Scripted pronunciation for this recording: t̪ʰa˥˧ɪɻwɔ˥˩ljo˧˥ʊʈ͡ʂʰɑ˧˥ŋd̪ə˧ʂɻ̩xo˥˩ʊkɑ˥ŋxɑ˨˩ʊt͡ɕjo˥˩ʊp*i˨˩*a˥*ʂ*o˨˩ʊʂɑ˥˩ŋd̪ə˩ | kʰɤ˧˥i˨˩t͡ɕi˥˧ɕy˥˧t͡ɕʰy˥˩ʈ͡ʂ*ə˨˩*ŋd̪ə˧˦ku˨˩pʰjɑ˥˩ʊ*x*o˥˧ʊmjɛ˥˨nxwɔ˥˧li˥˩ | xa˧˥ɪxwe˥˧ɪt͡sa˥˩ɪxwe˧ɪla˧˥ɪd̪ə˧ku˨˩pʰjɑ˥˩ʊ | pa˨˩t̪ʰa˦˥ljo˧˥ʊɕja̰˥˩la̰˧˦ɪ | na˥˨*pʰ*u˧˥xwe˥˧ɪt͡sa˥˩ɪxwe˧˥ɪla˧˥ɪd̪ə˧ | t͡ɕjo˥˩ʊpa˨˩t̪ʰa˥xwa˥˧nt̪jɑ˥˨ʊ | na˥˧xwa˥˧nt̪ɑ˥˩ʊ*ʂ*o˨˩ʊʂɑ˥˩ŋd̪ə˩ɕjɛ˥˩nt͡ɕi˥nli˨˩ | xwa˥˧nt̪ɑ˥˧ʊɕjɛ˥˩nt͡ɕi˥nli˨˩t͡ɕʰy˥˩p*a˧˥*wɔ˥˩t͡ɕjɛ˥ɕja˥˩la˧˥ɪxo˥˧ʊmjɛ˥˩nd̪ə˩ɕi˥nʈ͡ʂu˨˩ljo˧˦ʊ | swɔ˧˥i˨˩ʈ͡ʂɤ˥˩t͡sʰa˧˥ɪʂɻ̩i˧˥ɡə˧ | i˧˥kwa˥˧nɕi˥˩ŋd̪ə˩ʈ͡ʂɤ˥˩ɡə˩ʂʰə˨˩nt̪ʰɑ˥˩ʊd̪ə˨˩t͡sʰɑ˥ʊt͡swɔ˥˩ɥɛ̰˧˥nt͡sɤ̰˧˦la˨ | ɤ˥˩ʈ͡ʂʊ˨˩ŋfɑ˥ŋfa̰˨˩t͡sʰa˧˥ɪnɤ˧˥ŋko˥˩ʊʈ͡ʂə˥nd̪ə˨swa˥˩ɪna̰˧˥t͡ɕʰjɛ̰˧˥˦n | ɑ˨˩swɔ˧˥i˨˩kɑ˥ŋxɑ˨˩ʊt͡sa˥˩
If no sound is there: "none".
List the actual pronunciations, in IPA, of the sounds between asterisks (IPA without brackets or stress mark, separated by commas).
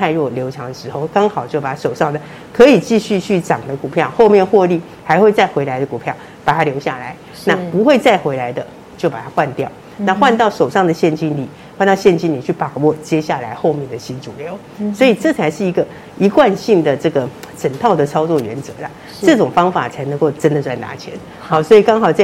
a˨˩, ʂ, ɑ˨˩, x, p, ʂ, a˨˩